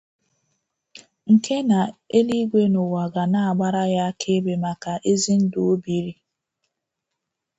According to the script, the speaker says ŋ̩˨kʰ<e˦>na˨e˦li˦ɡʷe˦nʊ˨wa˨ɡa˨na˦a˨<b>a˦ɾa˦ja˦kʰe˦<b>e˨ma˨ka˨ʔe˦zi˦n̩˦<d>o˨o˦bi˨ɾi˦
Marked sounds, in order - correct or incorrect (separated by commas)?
correct, incorrect, correct, correct